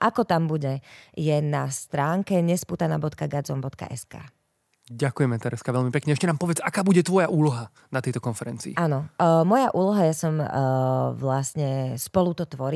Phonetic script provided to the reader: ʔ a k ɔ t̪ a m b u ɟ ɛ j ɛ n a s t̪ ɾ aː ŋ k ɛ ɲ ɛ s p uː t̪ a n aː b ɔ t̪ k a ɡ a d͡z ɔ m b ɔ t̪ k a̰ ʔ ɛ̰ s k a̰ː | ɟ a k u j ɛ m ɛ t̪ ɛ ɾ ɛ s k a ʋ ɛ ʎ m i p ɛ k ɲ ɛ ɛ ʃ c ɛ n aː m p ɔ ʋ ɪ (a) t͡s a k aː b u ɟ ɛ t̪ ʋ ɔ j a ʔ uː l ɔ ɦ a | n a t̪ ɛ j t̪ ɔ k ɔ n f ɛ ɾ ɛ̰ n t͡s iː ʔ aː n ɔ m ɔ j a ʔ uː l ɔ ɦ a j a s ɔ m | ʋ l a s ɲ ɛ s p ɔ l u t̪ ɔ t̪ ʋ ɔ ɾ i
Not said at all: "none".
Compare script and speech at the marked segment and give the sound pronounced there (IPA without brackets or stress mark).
ɛ